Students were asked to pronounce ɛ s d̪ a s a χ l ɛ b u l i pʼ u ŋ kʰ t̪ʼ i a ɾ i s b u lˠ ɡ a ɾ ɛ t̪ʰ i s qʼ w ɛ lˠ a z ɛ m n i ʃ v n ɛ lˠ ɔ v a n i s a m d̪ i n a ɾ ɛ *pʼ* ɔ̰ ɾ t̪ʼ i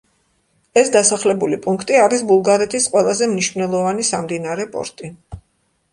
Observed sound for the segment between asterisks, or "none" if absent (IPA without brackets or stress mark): pʼ